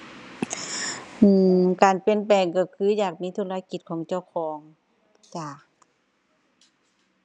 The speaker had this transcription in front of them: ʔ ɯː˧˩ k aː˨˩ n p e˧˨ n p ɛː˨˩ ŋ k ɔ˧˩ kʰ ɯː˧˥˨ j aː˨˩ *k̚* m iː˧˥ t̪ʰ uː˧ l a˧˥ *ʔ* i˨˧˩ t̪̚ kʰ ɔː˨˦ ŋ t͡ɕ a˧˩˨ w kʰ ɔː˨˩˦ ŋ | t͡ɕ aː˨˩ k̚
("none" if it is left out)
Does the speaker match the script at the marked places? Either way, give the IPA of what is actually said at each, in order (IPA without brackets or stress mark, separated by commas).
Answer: k̚, k